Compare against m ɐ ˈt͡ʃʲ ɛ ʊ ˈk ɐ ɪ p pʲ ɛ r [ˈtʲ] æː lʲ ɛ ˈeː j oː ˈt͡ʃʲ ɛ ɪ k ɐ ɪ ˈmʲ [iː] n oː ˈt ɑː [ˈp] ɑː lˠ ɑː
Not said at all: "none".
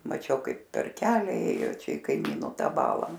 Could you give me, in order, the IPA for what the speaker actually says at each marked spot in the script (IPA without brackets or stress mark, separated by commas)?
kʲ, iː, b